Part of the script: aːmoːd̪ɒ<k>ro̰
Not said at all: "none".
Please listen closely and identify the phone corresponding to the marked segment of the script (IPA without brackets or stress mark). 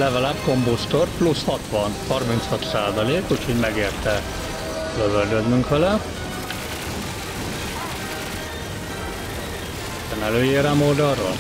none